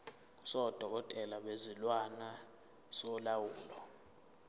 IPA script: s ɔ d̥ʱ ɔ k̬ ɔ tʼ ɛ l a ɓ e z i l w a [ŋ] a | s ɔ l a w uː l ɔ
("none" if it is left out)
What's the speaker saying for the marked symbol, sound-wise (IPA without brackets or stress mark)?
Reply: n